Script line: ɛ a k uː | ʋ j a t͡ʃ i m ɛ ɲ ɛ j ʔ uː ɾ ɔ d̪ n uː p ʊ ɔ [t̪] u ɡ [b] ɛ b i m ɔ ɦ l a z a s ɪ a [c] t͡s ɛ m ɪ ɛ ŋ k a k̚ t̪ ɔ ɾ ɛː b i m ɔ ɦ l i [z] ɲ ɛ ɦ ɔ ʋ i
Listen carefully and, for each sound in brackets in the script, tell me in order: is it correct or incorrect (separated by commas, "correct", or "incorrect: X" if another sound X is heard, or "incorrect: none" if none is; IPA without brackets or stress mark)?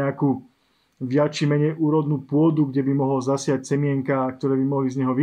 incorrect: d̪, incorrect: ɟ, correct, correct